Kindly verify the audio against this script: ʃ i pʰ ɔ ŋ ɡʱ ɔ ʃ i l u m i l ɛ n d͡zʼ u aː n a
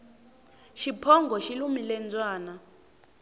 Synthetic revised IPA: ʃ i pʰ ɔ ŋ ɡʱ ɔ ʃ i l u m i l ɛ n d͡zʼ w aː n a